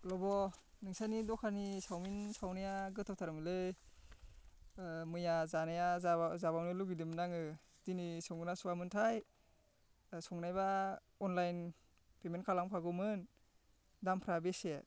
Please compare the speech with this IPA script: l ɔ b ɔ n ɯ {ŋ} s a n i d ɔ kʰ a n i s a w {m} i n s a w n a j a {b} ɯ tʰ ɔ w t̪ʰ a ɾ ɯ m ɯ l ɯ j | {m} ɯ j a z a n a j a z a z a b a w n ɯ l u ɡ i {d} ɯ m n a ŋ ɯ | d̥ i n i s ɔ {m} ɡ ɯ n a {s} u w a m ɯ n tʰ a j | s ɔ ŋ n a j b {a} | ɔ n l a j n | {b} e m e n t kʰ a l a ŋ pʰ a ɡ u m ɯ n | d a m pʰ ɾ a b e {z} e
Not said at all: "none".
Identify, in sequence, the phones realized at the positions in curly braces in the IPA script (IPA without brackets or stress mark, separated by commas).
ŋ, m, ɡ, m, d, ŋ, s, a, p, s